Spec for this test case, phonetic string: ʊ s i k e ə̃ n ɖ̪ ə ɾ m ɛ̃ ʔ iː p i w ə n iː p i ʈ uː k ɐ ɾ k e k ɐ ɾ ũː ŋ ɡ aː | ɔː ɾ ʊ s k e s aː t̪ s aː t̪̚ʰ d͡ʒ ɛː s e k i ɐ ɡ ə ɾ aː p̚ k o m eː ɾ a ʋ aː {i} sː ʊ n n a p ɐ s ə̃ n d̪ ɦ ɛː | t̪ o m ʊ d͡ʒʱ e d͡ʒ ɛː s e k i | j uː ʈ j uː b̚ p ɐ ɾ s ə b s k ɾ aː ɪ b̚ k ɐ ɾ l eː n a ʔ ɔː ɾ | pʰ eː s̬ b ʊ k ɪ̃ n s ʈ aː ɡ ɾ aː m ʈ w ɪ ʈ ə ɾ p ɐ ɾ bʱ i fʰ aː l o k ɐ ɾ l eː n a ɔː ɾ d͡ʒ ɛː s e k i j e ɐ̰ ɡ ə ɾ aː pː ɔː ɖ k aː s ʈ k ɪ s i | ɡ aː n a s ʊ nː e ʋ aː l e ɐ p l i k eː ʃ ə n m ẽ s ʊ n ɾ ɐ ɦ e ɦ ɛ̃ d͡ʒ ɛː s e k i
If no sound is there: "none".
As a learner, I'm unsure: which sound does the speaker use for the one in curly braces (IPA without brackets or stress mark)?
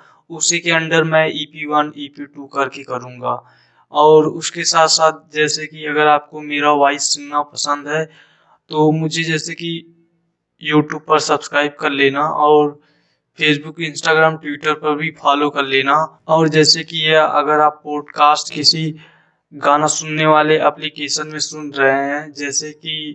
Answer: ɪ